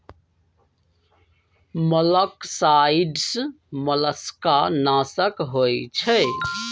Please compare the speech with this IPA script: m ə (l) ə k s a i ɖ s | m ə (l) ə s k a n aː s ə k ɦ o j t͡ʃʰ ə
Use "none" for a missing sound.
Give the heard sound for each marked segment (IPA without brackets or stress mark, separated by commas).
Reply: l, l